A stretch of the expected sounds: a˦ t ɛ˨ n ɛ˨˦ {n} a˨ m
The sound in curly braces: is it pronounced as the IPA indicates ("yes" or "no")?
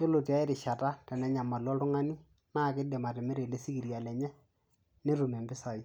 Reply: no